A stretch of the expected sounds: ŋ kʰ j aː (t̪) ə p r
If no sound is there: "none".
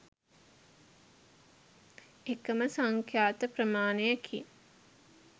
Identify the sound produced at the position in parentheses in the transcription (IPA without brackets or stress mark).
t̪